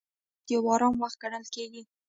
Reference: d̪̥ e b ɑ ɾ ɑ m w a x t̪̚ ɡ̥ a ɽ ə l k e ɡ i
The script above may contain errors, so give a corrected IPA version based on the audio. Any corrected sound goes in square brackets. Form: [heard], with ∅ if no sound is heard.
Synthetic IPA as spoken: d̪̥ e [w] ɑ ɾ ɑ m w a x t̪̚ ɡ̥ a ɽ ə l k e ɡ i